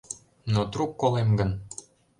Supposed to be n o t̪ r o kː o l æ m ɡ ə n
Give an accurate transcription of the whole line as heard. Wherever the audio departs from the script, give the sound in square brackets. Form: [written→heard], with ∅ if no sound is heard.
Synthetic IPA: n o t̪ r [o→u] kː o l [æ→e] m ɡ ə n